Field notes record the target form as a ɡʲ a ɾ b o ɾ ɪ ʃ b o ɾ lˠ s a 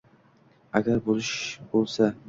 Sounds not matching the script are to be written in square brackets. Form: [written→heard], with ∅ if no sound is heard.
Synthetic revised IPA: a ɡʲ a ɾ b o [ɾ→l] ɪ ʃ b o [ɾ→∅] lˠ s a